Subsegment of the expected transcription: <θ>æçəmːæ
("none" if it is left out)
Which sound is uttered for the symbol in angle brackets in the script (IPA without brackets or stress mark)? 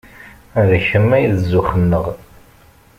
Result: ð